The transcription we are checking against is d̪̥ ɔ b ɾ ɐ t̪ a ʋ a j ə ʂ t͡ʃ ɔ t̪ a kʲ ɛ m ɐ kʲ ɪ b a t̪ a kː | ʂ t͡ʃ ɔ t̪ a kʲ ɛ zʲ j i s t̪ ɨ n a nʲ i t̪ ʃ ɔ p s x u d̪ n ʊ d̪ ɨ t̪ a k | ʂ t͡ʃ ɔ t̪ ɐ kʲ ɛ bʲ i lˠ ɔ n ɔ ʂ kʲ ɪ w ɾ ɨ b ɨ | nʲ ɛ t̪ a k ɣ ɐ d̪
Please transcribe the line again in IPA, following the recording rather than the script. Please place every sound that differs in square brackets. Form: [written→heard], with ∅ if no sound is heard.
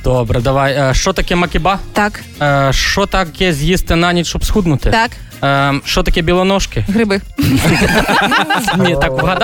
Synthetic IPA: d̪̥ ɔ b ɾ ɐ [t̪→d̪] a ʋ a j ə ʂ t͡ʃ ɔ t̪ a kʲ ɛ m ɐ kʲ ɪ b a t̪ a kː | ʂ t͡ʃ ɔ t̪ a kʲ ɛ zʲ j i s t̪ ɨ n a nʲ i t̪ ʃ ɔ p s x u d̪ n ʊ [d̪→t̪] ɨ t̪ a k | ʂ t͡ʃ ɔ t̪ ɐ kʲ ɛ bʲ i lˠ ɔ n ɔ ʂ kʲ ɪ [w→ɣ] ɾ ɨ b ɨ | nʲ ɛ t̪ a k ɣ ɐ d̪